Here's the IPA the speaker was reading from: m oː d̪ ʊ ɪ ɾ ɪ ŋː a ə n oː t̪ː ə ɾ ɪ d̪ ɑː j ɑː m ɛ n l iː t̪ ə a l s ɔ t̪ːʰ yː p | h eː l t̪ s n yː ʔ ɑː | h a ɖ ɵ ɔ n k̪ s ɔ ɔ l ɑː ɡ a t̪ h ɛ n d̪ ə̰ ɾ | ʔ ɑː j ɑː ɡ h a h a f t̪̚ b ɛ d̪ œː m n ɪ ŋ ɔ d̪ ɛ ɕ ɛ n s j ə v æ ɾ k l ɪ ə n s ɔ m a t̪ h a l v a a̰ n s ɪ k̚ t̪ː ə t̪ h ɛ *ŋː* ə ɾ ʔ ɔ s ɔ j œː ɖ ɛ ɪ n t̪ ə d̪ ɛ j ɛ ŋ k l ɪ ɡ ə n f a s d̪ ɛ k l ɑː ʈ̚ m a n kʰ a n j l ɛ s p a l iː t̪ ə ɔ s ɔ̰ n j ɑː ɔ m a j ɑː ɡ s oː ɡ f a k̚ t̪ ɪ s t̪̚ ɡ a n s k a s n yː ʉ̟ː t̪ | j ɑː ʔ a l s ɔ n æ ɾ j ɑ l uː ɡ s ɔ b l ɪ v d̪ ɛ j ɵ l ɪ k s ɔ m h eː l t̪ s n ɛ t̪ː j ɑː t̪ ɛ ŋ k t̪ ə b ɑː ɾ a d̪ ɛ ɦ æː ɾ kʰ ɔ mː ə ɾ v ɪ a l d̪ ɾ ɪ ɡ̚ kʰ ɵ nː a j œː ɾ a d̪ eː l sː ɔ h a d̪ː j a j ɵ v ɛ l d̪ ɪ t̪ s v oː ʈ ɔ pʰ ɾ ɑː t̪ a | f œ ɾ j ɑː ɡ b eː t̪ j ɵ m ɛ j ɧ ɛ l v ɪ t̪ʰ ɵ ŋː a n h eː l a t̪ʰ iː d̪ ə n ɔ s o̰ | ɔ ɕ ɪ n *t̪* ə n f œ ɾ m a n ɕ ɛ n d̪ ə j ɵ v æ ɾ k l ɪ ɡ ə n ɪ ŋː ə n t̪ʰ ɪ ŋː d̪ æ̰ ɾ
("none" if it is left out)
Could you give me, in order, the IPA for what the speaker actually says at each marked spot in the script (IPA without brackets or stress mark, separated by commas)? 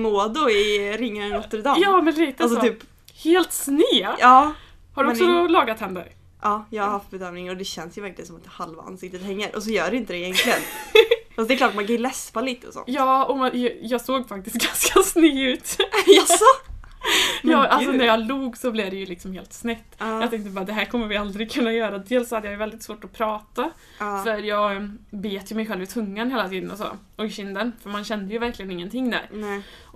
ŋː, d̪